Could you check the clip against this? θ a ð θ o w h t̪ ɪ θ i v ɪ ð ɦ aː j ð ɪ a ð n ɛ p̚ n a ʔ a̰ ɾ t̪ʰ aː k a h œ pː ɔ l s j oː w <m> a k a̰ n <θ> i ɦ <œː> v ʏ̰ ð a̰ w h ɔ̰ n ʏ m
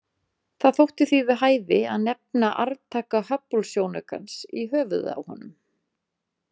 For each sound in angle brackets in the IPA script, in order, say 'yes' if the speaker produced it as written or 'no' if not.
no, no, yes

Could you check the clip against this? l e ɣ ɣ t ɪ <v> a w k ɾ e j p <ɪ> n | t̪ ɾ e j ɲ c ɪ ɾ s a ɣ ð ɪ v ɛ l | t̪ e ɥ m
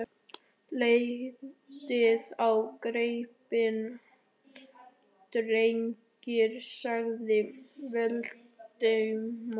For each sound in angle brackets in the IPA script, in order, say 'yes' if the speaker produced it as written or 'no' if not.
no, yes

